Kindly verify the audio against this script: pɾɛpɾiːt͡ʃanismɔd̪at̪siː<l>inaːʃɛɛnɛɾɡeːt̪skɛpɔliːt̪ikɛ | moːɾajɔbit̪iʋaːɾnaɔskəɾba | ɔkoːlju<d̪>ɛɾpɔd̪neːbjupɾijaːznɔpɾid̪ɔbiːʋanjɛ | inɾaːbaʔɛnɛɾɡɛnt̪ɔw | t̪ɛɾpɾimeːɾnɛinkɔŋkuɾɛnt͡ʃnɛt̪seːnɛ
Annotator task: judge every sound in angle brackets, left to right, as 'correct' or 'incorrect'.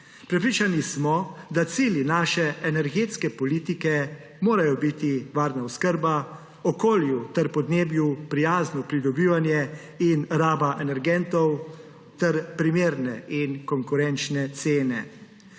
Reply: correct, incorrect

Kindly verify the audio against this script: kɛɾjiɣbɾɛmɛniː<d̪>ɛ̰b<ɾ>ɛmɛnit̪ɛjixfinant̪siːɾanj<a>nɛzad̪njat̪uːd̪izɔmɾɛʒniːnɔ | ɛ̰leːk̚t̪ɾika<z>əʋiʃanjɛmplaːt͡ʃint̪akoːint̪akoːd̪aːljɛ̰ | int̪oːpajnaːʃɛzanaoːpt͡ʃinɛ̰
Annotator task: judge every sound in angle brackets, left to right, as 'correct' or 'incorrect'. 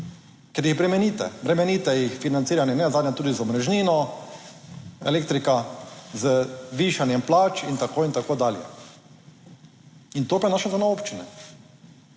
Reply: incorrect, correct, incorrect, correct

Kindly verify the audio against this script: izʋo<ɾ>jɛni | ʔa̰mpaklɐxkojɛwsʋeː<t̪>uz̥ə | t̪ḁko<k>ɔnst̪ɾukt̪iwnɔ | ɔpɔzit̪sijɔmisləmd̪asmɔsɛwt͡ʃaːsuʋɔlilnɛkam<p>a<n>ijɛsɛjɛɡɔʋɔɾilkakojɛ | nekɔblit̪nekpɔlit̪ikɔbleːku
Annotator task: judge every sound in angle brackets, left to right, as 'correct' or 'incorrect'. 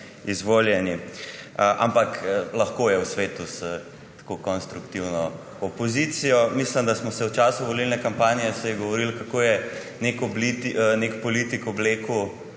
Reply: incorrect, correct, correct, correct, correct

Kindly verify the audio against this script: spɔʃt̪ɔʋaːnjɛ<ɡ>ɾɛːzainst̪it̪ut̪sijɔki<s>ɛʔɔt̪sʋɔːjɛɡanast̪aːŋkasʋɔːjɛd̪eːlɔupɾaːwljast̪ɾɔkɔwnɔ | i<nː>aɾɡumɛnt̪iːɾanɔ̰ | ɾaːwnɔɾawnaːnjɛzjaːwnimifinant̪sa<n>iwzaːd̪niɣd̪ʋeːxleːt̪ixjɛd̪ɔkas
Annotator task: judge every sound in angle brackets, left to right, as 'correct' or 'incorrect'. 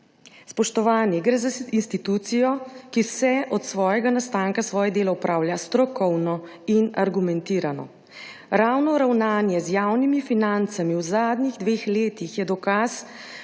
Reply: correct, correct, incorrect, incorrect

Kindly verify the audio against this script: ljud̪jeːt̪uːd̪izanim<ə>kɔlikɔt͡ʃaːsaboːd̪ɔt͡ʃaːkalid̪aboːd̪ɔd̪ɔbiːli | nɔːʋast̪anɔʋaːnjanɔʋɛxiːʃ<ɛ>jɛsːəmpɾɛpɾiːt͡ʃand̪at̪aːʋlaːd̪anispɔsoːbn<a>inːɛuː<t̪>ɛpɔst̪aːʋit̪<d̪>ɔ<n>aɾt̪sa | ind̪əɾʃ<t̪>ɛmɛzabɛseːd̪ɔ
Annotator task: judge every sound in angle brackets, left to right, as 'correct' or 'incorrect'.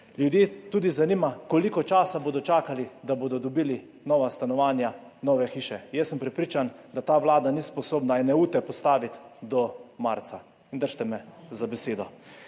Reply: incorrect, correct, correct, correct, correct, incorrect, correct

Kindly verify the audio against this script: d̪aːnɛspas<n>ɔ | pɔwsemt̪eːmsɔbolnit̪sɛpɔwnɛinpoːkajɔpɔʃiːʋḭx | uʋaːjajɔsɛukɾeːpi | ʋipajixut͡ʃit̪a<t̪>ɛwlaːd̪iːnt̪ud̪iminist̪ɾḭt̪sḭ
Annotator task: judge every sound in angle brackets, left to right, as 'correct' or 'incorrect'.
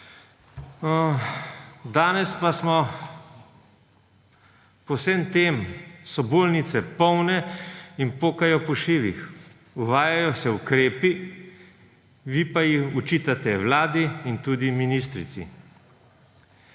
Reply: incorrect, correct

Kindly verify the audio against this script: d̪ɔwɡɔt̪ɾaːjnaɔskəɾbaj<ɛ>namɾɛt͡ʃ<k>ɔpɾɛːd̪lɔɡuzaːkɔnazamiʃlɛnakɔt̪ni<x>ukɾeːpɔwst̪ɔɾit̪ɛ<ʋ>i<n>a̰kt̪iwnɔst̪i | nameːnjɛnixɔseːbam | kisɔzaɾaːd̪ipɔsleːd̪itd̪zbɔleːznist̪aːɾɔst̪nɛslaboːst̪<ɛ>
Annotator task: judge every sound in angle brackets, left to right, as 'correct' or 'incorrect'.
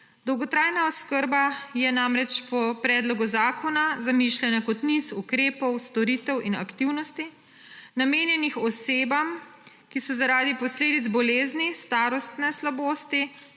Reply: correct, incorrect, incorrect, incorrect, correct, incorrect

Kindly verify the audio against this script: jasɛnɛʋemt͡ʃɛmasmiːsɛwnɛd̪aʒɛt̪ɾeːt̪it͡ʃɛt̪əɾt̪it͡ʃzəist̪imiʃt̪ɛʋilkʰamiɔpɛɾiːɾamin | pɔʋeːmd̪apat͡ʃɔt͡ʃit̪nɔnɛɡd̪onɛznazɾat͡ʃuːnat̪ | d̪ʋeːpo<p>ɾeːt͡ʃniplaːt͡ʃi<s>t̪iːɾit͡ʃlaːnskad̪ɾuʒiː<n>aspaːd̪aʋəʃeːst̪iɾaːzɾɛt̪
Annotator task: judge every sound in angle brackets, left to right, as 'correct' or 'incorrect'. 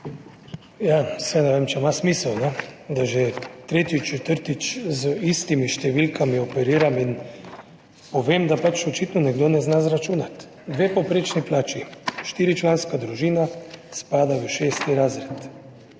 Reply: correct, incorrect, correct

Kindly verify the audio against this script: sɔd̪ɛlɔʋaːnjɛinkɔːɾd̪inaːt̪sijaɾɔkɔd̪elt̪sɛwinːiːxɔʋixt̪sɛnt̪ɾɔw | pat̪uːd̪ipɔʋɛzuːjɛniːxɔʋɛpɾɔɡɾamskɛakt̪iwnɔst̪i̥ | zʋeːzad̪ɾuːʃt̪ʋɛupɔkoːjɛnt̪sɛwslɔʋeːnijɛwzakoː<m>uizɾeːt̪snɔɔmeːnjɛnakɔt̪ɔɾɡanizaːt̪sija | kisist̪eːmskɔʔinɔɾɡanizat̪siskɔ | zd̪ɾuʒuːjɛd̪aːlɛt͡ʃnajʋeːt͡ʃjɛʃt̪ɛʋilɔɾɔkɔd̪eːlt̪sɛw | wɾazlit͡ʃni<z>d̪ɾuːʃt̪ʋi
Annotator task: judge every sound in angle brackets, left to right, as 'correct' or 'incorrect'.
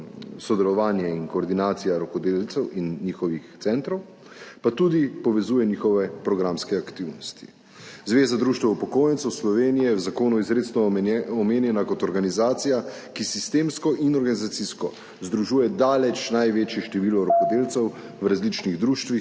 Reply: incorrect, incorrect

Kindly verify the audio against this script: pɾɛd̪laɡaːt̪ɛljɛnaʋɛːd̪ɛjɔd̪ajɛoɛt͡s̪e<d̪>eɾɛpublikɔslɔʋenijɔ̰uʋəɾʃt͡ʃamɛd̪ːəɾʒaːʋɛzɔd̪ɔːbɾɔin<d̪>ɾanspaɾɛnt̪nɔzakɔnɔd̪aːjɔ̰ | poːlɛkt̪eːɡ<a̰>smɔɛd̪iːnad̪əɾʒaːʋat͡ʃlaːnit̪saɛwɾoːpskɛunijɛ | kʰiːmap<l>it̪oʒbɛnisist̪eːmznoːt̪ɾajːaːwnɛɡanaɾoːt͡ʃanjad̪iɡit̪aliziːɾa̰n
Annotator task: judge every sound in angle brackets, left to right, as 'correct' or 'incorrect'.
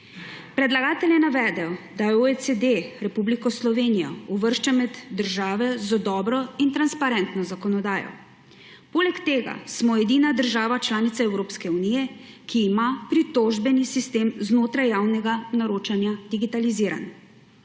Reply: correct, incorrect, correct, incorrect

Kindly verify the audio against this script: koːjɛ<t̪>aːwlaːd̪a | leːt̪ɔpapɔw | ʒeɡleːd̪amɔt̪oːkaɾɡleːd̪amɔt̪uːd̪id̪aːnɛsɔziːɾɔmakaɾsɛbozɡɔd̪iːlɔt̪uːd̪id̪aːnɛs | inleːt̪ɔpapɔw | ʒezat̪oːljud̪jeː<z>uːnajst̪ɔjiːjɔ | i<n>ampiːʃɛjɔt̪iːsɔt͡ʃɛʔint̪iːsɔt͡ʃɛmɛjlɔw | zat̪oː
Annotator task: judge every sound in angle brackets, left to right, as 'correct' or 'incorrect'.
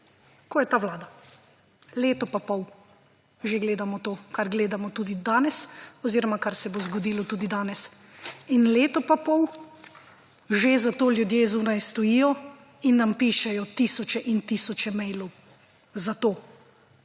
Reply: correct, correct, incorrect

